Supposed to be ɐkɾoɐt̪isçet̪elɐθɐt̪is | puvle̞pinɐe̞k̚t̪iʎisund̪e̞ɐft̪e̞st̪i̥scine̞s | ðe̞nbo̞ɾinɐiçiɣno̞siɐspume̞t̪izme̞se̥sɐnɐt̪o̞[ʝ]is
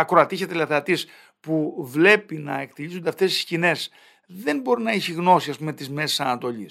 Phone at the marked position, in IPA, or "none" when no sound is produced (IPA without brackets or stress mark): ʎ